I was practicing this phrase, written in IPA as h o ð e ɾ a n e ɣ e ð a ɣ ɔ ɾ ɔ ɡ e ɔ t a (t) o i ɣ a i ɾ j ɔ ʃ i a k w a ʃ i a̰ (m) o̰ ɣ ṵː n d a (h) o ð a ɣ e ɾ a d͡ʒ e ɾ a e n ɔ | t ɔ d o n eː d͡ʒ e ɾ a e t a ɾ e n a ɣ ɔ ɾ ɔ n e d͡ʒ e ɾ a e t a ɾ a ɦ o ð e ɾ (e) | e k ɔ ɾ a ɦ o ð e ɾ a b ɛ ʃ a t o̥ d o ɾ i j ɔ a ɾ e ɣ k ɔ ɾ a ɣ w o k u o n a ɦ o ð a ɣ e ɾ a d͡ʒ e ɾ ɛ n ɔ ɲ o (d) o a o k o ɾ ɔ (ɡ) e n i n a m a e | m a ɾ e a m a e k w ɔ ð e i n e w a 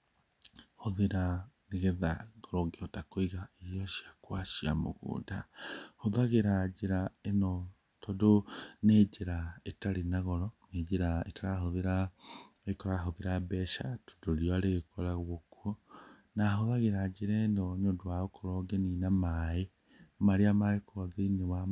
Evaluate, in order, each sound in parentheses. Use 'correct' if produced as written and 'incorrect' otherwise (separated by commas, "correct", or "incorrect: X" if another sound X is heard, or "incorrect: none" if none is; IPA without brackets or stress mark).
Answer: incorrect: k, correct, correct, incorrect: a, correct, correct